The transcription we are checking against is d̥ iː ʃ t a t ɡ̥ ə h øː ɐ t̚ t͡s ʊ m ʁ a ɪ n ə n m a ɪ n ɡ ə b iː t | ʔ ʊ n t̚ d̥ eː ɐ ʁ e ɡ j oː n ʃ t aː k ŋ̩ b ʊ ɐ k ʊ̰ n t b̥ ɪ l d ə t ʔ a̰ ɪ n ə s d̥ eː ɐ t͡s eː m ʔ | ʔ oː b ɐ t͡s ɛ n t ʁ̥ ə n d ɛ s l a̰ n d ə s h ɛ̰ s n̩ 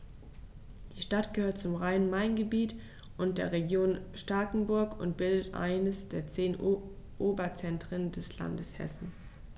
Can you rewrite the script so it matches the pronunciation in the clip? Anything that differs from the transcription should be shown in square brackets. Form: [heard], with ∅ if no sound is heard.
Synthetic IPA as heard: d̥ iː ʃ t a t ɡ̥ ə h øː ɐ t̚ t͡s ʊ m ʁ a ɪ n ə n m a ɪ n ɡ ə b iː t | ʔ ʊ n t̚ d̥ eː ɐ ʁ e ɡ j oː n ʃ t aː k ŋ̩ b ʊ ɐ k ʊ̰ n t b̥ ɪ l d ə t ʔ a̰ ɪ n ə s d̥ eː ɐ t͡s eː [n] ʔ | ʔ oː b ɐ t͡s ɛ n t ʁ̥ ə n d ɛ s l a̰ n d ə s h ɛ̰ s n̩